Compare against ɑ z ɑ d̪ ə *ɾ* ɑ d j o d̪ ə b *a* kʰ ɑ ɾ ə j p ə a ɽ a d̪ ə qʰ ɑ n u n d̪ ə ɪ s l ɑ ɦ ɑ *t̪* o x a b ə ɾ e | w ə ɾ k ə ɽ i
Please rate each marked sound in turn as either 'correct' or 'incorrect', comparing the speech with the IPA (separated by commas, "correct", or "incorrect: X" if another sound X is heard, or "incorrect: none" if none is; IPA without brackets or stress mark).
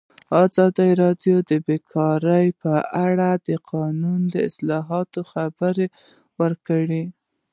correct, incorrect: e, correct